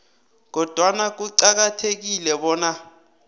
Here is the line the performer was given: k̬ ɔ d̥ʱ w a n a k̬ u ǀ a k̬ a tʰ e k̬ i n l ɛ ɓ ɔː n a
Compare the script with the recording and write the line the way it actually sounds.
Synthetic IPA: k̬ ɔ d̥ʱ w a n a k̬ u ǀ a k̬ a tʰ e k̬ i l ɛ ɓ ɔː n a